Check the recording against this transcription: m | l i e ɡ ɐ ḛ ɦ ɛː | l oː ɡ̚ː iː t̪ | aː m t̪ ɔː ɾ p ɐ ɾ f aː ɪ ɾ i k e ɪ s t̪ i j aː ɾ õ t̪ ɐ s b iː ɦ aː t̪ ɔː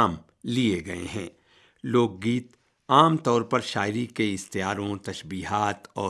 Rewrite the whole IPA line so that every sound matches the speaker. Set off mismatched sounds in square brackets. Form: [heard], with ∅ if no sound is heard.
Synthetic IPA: m | l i e ɡ ɐ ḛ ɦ [ɛ̃ː] | l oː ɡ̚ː iː t̪ | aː m t̪ ɔː ɾ p ɐ ɾ [ʃ] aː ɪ ɾ i k e ɪ s t̪ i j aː ɾ õ t̪ ɐ [ʃ] b iː ɦ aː t̪ ɔː